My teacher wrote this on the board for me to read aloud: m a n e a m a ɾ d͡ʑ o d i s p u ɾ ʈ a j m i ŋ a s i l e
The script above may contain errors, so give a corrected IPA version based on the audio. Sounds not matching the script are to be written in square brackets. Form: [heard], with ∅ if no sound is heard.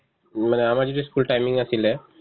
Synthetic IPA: m a n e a m a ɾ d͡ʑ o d i s [k] u [l] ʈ a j m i ŋ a s i l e